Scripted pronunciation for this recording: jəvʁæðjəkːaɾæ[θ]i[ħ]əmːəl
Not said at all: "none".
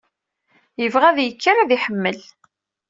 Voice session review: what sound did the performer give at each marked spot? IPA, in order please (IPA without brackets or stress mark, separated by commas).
ð, ħ